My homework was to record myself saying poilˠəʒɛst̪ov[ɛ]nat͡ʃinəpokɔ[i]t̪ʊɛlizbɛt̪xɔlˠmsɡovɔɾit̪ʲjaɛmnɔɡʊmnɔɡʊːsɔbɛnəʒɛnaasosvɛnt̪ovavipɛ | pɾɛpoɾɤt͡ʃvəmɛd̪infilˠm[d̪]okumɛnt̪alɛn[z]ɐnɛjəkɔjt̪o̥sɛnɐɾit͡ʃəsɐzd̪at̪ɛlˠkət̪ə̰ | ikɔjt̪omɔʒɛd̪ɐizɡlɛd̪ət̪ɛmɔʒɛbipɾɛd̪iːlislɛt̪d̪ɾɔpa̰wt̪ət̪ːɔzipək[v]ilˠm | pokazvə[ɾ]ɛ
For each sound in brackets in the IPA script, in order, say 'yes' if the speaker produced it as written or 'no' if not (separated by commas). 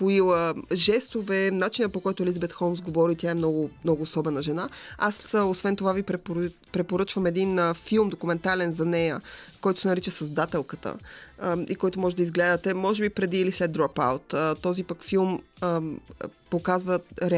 yes, no, yes, yes, no, yes